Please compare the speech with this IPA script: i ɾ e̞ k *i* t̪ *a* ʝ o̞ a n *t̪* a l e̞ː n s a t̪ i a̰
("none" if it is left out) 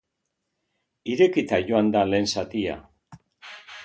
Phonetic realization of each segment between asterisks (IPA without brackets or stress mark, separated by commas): i, a, d̪